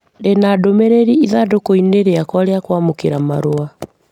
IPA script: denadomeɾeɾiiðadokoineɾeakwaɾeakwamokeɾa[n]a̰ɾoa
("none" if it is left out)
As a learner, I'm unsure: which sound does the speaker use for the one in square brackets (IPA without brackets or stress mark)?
m